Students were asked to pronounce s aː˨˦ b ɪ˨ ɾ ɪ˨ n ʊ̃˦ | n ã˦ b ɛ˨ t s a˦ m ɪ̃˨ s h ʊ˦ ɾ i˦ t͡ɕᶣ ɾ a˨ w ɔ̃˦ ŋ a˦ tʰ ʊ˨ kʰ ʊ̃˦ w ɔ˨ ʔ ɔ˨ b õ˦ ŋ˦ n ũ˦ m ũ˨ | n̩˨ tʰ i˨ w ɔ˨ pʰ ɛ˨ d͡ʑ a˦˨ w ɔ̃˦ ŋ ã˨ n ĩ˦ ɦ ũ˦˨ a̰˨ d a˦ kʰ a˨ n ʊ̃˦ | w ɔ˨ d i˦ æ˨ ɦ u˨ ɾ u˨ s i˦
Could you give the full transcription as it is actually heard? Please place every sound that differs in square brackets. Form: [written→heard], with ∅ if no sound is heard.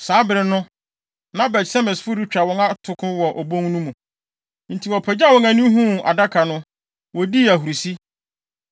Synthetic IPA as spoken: s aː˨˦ b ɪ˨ ɾ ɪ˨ n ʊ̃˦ | n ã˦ b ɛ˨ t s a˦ m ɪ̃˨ s [h→f] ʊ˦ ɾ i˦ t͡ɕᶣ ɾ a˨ w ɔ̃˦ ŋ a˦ tʰ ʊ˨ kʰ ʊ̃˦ w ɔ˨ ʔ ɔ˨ b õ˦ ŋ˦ n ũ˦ m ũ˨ | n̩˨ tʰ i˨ w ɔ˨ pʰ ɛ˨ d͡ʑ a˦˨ w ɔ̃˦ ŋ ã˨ n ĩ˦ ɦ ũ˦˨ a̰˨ d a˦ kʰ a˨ n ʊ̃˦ | w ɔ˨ d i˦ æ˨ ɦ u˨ ɾ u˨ s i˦